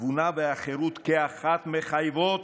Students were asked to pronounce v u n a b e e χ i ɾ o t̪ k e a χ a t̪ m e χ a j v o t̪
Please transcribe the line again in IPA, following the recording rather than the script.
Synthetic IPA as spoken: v u n a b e a χ e ɾ u t̪ k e a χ a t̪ m e χ a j v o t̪

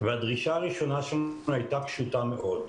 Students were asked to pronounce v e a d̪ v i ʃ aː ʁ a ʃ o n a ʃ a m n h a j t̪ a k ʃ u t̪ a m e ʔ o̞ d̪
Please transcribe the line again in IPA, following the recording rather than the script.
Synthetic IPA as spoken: v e a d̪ ʁ i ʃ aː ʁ i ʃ o n a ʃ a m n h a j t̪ a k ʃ u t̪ a m e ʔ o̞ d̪

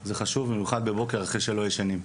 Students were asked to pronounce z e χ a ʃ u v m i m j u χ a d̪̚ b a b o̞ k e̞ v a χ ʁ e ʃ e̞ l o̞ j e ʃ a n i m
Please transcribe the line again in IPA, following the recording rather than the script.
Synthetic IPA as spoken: z e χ a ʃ u v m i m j u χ a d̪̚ b e b o̞ k e̞ ʁ a χ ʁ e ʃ e̞ l o̞ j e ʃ a n i m

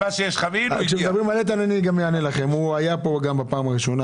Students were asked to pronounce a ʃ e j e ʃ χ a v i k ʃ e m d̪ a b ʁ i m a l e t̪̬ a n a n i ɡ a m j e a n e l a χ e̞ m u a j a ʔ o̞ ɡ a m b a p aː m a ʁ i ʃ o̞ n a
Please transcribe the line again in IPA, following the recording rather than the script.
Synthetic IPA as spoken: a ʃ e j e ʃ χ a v i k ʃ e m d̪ a b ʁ i m a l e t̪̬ a n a n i ɡ a m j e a n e l a χ e̞ m u a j a p o̞ ɡ a m b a p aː m a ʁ i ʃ o̞ n a

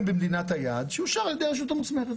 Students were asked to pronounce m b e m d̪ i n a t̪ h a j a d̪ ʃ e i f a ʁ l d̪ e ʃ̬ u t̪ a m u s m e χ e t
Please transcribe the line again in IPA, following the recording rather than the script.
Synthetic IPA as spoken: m b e m d̪ i n a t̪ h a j a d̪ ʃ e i ʃ a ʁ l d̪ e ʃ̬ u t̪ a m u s m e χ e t

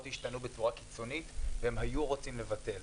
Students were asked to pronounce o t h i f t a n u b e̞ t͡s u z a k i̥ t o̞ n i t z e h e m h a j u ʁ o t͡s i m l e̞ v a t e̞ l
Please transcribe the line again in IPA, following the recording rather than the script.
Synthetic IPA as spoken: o t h i ʃ t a n u b e̞ t͡s u ʁ a k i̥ t͡s o̞ n i t v e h e m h a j u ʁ o t͡s i m l e̞ v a t e̞ l

